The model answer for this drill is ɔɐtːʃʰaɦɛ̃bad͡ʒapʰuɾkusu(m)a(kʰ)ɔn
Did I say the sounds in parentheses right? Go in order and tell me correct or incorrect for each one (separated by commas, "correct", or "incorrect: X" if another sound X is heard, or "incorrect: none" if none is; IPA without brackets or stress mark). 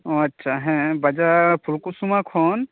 correct, correct